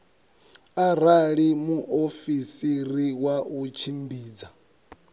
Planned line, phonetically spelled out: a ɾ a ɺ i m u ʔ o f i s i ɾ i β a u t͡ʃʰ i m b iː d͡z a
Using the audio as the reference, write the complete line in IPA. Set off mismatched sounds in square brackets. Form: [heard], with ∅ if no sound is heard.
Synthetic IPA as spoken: a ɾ a ɺ i m u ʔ o f i s i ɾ i [w] a u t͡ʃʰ i m b iː d͡z a

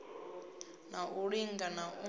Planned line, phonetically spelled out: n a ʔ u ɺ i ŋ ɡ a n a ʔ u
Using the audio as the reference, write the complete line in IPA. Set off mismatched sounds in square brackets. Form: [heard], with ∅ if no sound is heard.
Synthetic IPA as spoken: n a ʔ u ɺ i ŋ ɡ a n a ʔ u

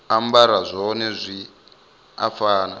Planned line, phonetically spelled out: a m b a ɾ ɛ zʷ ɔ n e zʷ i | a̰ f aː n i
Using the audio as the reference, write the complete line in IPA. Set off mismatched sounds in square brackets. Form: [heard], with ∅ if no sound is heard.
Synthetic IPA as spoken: a m b a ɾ [a] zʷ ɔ n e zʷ i | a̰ f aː n [a]

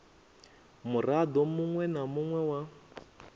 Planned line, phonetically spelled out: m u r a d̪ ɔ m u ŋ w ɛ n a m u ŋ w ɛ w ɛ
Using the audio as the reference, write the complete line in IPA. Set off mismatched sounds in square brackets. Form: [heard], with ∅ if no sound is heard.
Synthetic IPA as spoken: m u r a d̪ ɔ m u ŋ w ɛ n a m u ŋ w ɛ w [a]

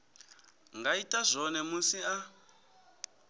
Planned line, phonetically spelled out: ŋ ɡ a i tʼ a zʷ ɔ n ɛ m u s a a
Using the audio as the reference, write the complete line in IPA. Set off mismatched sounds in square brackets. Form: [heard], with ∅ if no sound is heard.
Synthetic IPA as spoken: ŋ ɡ a i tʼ a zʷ ɔ n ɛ m u s [i] a

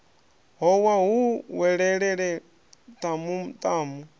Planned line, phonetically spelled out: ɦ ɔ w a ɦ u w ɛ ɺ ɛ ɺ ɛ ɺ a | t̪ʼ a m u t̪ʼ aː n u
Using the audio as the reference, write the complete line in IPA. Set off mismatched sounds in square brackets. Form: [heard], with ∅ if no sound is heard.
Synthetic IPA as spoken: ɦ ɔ w a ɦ u w ɛ ɺ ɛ ɺ ɛ ɺ [ɛ] | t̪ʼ a m u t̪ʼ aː [m] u

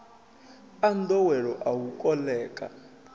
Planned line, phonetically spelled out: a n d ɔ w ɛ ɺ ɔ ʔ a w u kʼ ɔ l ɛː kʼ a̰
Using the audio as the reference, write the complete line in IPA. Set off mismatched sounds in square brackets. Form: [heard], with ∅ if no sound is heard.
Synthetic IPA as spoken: a n d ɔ w ɛ ɺ ɔ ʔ a w u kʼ ɔ l ɛː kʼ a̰

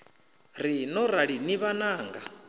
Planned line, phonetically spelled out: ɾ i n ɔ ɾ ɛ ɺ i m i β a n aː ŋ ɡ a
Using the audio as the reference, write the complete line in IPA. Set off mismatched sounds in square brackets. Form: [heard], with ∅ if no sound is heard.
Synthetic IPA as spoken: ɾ i n ɔ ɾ [a] ɺ i [n] i β a n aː ŋ ɡ a

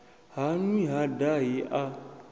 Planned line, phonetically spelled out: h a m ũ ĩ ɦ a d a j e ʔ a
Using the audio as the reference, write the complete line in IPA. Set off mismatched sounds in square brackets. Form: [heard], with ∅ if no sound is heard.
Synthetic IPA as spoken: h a [n] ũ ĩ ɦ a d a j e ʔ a

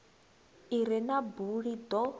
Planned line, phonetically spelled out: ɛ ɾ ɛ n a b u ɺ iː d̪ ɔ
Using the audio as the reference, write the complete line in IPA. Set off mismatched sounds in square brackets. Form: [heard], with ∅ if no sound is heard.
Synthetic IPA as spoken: [i] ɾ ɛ n a b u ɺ [i] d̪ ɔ

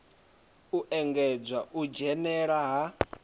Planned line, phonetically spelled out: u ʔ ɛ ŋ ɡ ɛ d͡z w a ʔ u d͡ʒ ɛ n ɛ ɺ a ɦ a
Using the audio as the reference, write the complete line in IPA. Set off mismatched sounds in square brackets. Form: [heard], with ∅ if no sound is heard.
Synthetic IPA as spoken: u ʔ ɛ ŋ ɡ ɛ d͡z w a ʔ u d͡ʒ ɛ n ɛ ɺ a ɦ a

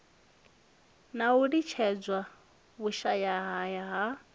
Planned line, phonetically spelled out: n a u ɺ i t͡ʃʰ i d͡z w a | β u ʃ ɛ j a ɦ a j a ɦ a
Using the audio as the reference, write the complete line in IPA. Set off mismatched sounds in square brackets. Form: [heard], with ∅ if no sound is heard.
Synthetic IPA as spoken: n a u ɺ i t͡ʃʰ [ɛ] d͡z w a | β u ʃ [a] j a ɦ a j a ɦ a

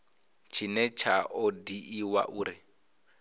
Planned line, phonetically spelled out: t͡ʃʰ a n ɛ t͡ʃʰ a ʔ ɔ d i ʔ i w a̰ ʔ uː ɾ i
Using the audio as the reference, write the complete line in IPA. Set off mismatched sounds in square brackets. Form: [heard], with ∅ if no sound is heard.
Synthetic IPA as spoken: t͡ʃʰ [i] n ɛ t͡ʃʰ a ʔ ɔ d i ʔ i w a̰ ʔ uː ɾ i

